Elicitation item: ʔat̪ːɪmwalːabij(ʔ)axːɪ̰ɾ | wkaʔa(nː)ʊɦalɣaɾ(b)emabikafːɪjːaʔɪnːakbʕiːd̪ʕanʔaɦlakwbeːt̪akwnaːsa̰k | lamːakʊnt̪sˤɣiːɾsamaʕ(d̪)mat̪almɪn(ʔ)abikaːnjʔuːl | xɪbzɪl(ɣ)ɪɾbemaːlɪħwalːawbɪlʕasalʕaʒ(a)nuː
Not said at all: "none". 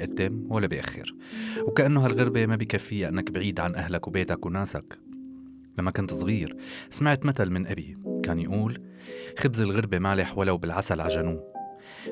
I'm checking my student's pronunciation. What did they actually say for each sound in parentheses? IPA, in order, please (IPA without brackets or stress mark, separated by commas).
ʔ, nː, b, t̪, ʔ, ɣ, a